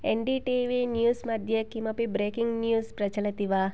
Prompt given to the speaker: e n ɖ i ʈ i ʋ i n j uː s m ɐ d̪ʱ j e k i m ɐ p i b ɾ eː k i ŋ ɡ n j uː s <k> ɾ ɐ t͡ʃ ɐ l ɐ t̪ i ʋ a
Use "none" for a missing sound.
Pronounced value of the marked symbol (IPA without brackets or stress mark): p